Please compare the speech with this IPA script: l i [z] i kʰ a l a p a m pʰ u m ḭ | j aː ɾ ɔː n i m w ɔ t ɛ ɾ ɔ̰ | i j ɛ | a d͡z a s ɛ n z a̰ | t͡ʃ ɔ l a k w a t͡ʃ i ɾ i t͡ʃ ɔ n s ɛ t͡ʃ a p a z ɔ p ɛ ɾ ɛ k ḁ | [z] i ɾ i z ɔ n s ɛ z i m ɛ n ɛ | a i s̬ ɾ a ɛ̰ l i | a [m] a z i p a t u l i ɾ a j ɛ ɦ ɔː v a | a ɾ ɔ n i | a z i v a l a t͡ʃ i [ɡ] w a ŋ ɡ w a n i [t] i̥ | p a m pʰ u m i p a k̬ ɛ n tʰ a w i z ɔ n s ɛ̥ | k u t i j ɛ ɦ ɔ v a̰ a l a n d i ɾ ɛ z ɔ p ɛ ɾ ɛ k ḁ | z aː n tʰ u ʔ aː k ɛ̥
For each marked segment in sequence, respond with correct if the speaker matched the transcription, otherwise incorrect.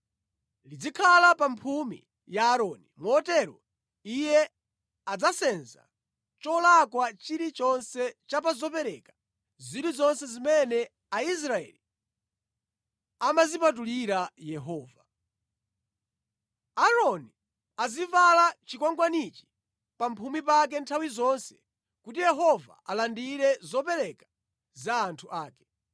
incorrect, correct, correct, incorrect, incorrect

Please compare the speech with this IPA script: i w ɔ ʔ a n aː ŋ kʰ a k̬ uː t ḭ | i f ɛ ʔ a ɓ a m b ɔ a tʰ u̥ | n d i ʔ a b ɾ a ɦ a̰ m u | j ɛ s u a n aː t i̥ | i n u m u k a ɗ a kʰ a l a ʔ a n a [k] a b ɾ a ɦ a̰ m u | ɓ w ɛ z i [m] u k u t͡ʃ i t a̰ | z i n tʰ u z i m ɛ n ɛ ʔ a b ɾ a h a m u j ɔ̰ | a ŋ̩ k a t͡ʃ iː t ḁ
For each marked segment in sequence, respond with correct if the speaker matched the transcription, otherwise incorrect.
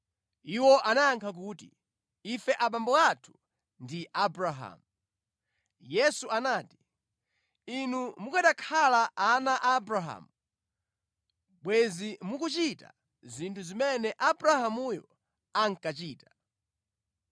incorrect, correct

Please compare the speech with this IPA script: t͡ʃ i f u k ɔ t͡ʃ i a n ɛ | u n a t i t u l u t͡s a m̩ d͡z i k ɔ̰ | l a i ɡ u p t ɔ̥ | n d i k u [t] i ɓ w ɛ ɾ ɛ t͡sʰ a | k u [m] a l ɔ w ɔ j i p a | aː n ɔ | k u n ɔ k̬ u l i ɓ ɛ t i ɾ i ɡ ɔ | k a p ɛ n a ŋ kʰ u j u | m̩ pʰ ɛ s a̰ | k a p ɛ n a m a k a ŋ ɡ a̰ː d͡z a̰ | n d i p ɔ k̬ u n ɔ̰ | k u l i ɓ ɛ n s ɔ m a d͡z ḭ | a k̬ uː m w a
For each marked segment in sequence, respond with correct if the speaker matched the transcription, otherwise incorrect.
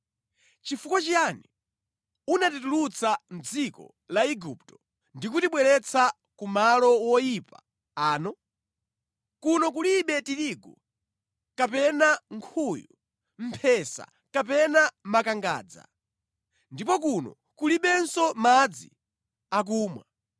correct, correct

